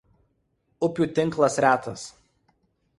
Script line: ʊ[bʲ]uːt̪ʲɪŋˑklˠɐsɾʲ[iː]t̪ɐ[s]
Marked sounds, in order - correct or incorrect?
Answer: incorrect: pʲ, incorrect: æː, correct

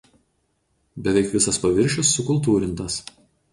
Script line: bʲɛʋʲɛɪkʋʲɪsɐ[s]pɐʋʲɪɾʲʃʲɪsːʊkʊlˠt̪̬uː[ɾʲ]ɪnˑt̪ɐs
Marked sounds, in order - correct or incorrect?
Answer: correct, correct

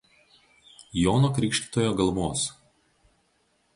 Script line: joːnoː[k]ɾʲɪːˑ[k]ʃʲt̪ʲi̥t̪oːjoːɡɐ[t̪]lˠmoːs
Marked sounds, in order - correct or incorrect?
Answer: correct, correct, incorrect: none

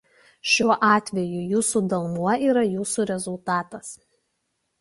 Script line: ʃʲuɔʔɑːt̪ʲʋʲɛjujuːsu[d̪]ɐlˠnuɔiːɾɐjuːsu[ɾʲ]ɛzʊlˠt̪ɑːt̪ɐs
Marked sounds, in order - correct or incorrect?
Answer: correct, correct

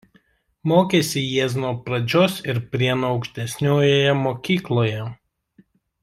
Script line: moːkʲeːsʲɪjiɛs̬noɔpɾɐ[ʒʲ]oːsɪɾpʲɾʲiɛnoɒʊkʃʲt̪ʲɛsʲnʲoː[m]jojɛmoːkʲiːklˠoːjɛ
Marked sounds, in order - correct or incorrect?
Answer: incorrect: d͡ʒʲ, incorrect: none

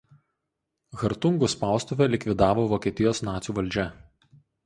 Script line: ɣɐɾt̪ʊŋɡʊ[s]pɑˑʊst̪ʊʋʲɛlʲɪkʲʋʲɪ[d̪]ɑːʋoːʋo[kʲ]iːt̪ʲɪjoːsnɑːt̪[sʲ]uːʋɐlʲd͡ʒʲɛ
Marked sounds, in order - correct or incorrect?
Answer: correct, correct, correct, correct

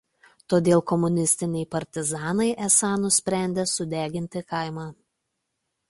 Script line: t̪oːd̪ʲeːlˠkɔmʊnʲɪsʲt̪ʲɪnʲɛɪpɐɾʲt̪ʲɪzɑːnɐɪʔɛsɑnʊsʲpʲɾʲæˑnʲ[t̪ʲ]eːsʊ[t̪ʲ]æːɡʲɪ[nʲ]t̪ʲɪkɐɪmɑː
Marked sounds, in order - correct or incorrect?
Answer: incorrect: d̪ʲ, incorrect: d̪ʲ, correct

